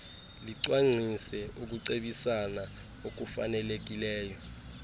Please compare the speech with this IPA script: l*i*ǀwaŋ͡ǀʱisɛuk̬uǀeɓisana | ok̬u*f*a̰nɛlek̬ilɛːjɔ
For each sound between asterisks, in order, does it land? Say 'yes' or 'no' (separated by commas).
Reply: yes, yes